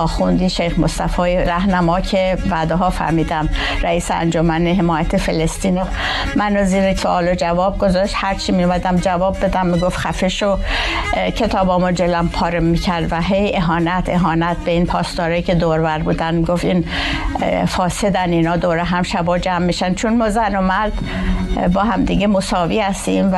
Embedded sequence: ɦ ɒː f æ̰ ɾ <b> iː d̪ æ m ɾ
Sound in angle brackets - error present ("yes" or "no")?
yes